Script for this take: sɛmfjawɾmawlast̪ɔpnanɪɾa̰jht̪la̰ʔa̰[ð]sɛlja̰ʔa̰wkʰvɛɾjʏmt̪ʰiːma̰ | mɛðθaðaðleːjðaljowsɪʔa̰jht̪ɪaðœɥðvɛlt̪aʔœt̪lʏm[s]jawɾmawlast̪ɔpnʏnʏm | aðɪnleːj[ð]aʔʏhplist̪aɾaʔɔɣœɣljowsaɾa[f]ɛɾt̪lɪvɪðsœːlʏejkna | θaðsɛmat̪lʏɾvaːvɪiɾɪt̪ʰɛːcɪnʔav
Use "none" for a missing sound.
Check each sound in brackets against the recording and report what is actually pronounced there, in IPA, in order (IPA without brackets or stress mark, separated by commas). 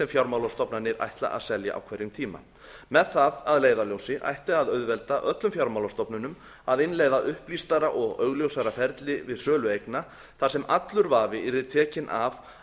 ð, f, ð, f